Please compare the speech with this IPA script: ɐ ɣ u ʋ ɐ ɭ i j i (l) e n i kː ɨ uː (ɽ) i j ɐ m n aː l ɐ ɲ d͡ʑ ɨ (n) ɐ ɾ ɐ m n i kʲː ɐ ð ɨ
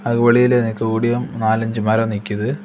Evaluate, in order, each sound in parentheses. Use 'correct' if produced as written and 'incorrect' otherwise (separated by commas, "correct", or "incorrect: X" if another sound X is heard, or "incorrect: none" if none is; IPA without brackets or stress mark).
correct, correct, incorrect: m